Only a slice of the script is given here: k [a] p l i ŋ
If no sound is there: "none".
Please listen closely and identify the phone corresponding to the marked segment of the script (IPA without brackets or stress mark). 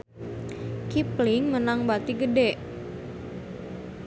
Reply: i